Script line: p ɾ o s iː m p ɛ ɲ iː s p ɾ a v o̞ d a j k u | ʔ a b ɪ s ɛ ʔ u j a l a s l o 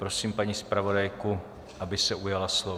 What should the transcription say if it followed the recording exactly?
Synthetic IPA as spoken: p ɾ o s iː m p a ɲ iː s p ɾ a v o̞ d a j k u | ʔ a b ɪ s ɛ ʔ u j a l a s l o